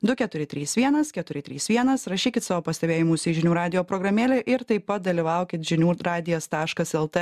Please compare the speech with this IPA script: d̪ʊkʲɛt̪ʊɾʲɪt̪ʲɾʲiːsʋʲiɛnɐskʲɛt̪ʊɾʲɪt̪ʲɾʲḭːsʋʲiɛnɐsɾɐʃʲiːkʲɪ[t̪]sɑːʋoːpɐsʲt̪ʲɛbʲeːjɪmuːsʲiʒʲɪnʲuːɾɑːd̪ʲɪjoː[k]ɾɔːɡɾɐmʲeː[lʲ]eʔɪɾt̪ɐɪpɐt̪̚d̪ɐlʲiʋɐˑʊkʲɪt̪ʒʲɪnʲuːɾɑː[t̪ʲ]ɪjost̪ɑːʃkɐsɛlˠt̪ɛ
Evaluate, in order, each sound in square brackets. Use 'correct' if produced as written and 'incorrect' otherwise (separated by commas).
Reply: correct, incorrect, correct, incorrect